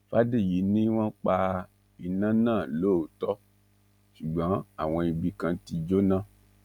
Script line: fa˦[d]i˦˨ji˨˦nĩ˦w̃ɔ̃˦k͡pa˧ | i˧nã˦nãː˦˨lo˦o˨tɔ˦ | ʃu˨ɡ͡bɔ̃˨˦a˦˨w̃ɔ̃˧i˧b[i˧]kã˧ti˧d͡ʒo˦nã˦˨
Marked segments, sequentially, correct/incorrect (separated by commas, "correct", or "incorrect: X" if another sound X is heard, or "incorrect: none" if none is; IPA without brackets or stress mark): correct, correct